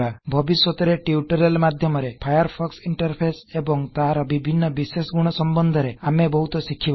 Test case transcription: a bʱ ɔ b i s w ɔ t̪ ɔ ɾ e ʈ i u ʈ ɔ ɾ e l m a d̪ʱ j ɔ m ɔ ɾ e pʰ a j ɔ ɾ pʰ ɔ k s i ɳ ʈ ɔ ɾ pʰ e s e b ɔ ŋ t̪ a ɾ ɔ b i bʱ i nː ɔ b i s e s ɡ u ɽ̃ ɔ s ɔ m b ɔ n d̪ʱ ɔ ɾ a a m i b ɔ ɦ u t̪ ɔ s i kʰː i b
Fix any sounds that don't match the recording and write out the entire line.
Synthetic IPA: a bʱ ɔ b i s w ɔ t̪ ɔ ɾ e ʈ i u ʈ ɔ ɾ e l m a d̪ʱ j ɔ m ɔ ɾ e pʰ a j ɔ ɾ pʰ ɔ k s i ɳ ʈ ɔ ɾ pʰ e s e b ɔ ŋ t̪ a ɾ ɔ b i bʱ i nː ɔ b i s e s ɡ u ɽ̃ ɔ s ɔ m b ɔ n d̪ʱ ɔ ɾ e a m e b ɔ ɦ u t̪ ɔ s i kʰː i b